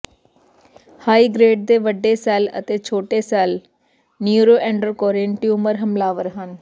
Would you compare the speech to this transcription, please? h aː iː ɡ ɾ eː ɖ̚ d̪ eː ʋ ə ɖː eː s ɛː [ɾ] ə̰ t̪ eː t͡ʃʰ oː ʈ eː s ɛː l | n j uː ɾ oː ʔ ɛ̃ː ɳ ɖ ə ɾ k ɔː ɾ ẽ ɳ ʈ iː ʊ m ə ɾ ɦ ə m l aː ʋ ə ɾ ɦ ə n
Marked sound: incorrect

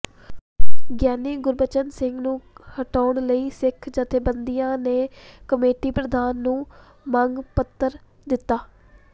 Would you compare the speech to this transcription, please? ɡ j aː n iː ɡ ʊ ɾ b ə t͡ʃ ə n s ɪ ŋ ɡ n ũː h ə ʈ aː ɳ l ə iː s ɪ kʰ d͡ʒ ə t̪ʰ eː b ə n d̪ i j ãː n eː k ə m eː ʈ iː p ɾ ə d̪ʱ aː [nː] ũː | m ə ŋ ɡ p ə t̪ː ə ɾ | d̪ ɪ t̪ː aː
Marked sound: correct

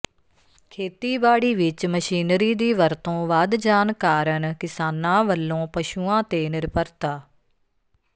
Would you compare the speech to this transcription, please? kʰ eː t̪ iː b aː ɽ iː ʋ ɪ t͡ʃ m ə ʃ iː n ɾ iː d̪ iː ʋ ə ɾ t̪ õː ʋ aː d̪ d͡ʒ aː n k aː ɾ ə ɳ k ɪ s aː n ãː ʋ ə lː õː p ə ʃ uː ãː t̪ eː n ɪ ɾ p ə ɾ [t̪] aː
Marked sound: correct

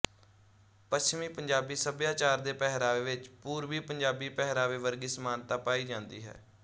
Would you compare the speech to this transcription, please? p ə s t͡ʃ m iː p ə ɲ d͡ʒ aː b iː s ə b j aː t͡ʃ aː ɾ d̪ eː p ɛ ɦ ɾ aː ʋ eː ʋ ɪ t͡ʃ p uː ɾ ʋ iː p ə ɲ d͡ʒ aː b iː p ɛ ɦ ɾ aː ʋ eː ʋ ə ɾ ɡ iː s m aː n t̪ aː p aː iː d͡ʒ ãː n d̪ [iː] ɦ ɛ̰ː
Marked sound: correct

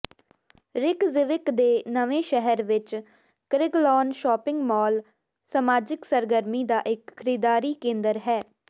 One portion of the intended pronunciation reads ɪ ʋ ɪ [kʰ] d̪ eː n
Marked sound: incorrect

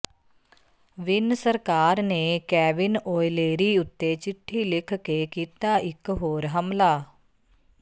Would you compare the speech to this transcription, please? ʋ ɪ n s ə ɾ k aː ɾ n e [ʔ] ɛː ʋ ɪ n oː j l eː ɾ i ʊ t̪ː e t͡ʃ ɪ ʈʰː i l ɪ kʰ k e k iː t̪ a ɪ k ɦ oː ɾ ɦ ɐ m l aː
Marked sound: incorrect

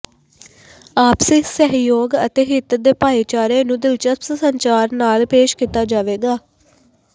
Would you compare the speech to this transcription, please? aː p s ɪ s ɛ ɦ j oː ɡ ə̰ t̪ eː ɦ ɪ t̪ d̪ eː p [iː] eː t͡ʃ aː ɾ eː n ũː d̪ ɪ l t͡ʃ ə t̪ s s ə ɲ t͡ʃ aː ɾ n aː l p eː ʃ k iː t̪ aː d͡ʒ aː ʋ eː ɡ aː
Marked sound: incorrect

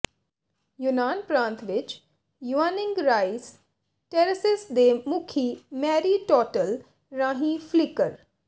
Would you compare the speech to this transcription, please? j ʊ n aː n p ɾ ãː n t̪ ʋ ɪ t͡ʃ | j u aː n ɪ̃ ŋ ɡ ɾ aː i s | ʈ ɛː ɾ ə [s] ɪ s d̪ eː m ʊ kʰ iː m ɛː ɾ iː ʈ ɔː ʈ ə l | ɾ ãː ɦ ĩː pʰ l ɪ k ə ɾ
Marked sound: correct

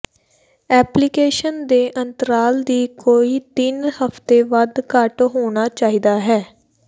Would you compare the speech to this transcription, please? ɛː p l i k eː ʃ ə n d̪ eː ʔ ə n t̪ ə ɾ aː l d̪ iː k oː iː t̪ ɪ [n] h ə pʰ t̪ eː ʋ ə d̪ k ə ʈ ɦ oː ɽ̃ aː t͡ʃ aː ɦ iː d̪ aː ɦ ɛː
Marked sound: correct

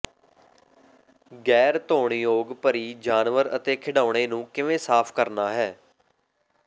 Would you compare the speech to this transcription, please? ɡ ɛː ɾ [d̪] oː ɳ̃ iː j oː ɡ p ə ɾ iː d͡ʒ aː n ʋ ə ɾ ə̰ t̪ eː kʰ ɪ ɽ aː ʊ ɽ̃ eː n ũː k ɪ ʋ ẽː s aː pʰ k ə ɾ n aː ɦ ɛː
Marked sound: incorrect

